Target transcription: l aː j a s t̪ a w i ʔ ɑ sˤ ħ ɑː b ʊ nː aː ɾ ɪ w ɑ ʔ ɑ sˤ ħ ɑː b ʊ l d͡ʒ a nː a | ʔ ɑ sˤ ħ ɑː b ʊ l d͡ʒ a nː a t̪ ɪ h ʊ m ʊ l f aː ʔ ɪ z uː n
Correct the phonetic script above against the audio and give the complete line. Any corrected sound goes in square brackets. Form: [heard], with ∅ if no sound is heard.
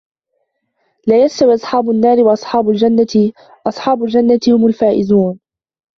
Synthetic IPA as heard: l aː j a s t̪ a w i ʔ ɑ sˤ ħ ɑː b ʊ nː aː ɾ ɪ w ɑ ʔ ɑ sˤ ħ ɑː b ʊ l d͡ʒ a nː a | ʔ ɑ sˤ ħ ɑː b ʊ l d͡ʒ a nː a t̪ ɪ h ʊ m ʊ l f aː ʔ ɪ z uː n